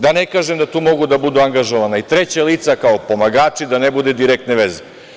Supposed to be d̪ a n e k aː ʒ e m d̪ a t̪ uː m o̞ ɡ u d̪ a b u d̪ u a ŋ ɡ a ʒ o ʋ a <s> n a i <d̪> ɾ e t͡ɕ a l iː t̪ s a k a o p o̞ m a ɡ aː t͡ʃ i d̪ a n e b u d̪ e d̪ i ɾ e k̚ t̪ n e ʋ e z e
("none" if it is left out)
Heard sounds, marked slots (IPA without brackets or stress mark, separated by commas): none, t̪